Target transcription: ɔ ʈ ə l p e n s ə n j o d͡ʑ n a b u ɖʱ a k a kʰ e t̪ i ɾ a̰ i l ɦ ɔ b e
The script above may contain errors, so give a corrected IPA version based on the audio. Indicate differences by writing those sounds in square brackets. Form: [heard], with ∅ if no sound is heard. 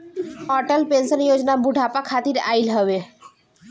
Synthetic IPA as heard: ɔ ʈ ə l p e n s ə n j o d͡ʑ n a b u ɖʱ a [p] a kʰ [a] t̪ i ɾ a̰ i l ɦ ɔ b e